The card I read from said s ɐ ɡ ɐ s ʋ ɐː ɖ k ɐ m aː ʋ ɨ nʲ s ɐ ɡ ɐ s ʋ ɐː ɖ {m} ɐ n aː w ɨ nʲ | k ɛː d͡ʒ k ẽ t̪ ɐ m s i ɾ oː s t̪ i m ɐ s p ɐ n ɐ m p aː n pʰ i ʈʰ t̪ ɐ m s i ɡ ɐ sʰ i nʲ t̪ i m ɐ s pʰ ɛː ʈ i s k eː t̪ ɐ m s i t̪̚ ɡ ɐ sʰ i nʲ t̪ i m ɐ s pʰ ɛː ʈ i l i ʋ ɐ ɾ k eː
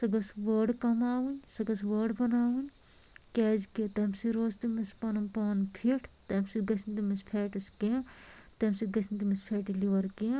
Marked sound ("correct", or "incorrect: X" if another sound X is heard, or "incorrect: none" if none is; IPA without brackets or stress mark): incorrect: b